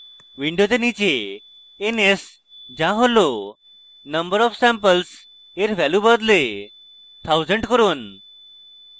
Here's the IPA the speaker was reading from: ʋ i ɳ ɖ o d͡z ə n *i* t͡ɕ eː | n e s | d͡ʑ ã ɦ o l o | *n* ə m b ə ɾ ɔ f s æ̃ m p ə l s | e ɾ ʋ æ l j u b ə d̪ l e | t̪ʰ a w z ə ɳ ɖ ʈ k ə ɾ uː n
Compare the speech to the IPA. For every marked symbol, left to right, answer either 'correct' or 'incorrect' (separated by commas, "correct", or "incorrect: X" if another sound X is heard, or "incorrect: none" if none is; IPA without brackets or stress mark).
correct, correct